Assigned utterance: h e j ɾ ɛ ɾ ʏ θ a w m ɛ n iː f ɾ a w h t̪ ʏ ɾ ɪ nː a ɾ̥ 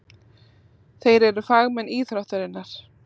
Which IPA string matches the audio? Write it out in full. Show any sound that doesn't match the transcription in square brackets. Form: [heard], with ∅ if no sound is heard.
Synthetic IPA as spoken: [θ] e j ɾ ɛ ɾ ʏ [f] a [ɣ] m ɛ n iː [θ] ɾ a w h t̪ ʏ ɾ ɪ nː a ɾ̥